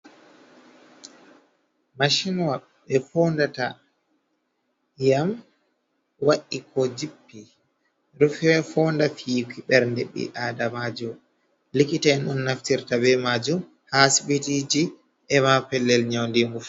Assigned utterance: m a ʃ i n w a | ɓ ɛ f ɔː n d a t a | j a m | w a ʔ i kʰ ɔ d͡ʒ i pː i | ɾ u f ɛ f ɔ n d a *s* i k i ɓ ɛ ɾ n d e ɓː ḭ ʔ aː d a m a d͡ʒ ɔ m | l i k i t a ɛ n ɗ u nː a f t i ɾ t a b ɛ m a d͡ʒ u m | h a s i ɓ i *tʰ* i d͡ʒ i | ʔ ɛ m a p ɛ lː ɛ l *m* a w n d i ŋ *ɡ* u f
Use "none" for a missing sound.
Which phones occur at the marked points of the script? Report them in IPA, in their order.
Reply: f, t, ɲ, ɡ

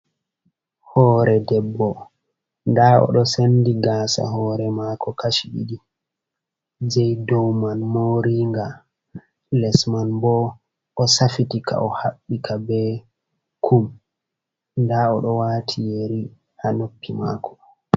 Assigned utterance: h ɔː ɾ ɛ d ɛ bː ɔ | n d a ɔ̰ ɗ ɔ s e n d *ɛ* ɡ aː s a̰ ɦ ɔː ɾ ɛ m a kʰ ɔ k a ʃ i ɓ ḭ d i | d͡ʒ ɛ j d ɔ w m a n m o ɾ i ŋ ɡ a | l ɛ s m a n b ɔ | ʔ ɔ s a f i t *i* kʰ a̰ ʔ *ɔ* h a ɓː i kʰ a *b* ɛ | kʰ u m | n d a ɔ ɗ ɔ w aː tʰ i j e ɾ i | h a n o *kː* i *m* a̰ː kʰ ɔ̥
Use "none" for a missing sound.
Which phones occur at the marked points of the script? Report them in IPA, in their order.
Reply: i, i, ɔ, b, pː, m

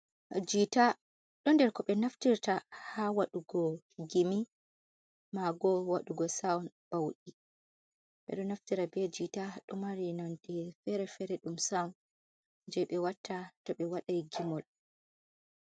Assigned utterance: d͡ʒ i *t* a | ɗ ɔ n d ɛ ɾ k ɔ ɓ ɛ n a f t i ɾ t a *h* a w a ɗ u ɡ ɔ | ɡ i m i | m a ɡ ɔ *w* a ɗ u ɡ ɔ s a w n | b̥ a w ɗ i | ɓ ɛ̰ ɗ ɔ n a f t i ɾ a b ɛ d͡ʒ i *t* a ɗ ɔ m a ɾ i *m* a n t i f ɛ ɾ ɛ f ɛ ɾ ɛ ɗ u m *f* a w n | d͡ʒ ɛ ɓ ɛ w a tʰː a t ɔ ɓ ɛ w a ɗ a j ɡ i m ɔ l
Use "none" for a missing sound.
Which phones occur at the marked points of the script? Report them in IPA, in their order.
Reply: t, h, w, t, n, s

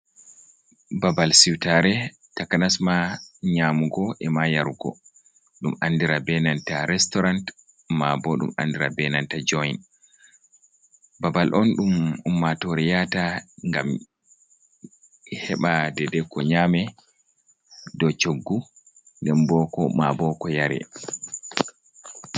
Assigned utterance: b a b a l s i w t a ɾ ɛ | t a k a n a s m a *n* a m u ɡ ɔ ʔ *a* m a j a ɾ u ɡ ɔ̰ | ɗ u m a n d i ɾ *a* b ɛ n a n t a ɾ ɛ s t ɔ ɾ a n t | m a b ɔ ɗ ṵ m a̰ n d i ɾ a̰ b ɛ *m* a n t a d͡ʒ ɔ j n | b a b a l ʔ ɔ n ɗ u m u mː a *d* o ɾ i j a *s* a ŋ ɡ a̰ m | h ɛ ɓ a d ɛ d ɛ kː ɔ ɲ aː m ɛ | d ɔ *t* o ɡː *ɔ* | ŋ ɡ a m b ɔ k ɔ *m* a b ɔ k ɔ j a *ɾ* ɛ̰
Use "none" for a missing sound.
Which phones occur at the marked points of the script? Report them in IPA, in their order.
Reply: ɲ, ɛ, a, n, t, t, t͡ʃ, u, m, ɾ

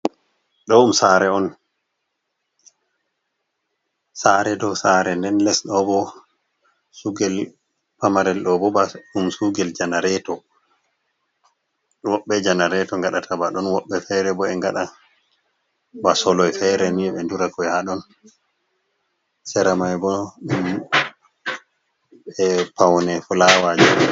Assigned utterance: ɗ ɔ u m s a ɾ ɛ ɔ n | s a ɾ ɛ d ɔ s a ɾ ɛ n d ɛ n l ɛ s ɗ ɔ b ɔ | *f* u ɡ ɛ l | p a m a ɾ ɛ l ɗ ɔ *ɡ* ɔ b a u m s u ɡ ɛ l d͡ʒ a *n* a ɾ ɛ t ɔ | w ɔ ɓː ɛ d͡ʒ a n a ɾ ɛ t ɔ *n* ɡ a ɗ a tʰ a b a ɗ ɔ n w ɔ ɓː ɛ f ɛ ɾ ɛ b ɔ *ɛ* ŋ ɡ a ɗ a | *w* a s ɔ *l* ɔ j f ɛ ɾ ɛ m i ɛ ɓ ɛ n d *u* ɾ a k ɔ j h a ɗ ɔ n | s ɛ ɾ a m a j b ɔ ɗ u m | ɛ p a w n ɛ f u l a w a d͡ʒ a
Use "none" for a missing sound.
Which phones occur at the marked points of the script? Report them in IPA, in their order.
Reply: s, b, n, ŋ, ɛ, b, l, u

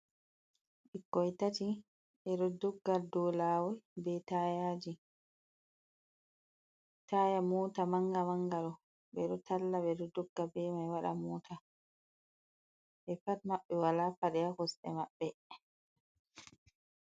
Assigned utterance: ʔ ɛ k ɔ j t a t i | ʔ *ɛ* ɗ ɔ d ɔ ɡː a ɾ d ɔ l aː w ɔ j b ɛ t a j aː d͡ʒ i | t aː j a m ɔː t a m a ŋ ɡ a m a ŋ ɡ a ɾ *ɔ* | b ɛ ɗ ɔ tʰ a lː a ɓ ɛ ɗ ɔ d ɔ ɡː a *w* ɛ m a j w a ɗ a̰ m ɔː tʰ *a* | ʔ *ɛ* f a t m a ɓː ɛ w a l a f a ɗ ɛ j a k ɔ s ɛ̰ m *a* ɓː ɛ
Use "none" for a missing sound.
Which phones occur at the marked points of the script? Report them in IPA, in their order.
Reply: ɛ, ɔ, b, a, ɛ, a

